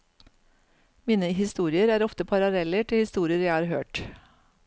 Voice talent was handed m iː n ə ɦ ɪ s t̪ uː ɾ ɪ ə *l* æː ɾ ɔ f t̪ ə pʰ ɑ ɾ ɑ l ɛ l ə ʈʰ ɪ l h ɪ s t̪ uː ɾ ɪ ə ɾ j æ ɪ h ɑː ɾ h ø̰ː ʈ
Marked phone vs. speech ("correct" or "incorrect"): incorrect